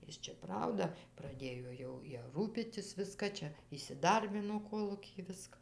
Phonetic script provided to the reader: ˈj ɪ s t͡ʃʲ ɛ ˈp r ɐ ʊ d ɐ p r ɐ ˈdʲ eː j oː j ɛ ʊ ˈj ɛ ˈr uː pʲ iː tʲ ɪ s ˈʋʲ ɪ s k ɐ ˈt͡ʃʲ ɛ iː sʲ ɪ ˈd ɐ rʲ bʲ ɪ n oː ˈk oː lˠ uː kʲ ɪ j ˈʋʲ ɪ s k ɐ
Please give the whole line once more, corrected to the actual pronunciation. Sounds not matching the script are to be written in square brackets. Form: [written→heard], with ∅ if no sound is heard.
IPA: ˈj ɪ s t͡ʃʲ ɛ ˈp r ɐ ʊ d ɐ p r ɐ ˈdʲ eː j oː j ɛ ʊ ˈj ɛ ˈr uː pʲ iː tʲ ɪ s ˈʋʲ ɪ s k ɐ ˈt͡ʃʲ ɛ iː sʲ ɪ ˈd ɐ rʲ bʲ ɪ n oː ˈk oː lˠ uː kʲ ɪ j ˈʋʲ ɪ s k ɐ